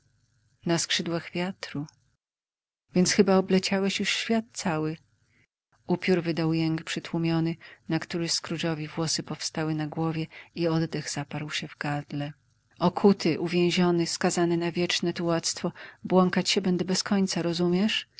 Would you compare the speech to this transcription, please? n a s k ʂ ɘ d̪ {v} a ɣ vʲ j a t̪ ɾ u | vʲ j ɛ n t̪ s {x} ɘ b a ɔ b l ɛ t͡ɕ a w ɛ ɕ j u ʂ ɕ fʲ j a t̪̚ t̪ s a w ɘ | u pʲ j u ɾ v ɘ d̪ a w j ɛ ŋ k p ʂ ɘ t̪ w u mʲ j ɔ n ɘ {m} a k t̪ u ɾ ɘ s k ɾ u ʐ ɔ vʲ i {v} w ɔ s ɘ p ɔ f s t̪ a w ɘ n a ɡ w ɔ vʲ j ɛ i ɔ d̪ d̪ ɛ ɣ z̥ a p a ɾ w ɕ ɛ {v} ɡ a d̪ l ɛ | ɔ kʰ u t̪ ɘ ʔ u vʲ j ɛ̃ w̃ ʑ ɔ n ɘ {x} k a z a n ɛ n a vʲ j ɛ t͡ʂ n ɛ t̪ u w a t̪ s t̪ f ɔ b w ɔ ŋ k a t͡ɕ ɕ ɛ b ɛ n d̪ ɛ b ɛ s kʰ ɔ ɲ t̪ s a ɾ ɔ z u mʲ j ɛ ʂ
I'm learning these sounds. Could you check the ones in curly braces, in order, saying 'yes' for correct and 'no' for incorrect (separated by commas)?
no, yes, no, yes, yes, no